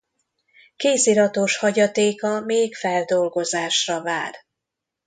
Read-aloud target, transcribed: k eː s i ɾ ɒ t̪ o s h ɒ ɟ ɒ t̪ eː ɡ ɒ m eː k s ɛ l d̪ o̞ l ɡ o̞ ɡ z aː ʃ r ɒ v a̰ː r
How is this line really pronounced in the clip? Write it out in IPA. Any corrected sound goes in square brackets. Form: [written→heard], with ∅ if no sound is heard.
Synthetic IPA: k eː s i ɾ ɒ t̪ o [s→ʃ] h ɒ ɟ ɒ t̪ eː [ɡ→k] ɒ m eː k [s→f] ɛ l d̪ o̞ l ɡ o̞ [ɡ→∅] z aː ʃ r ɒ v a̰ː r